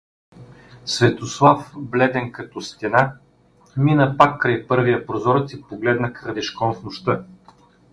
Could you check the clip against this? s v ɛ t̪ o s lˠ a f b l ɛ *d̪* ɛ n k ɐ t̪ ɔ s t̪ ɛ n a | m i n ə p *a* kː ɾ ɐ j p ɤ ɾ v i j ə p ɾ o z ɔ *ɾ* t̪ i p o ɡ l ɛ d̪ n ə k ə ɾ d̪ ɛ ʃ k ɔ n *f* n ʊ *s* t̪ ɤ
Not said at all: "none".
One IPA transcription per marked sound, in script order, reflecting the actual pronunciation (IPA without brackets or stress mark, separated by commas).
d̪, a, ɾ, f, ʃ